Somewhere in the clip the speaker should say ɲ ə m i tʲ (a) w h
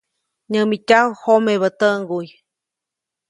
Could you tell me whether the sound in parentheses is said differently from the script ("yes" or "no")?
no